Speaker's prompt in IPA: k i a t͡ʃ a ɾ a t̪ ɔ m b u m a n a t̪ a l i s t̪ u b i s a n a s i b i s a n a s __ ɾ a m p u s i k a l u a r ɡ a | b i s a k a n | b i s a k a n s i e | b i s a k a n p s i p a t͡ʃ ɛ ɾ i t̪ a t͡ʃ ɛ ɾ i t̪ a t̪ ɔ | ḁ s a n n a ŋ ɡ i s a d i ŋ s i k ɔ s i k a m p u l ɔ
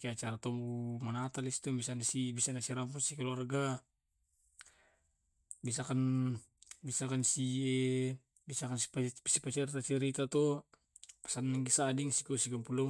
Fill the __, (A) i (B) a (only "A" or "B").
A